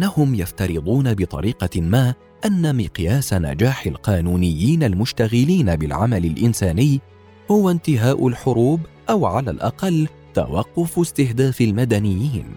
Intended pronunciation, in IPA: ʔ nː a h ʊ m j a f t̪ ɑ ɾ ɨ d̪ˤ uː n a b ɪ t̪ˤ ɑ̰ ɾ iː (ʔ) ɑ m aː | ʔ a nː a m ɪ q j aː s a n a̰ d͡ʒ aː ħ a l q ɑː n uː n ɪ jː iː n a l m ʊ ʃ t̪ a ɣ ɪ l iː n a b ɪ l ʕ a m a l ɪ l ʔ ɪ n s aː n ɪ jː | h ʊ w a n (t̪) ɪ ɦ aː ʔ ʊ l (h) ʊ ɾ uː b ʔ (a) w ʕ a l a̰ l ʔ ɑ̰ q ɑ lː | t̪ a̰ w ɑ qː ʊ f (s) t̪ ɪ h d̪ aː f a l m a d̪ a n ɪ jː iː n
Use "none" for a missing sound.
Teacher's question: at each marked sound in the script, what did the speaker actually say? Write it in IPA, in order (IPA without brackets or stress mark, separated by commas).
q, t̪, ħ, a, s